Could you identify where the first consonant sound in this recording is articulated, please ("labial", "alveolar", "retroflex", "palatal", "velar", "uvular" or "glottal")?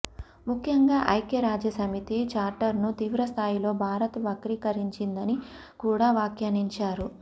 labial